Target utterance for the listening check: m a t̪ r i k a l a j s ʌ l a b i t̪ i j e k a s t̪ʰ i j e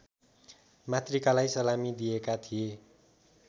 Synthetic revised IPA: m a t̪ r i k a l a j s ʌ l a m i d̪ i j e k a t̪ʰ i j e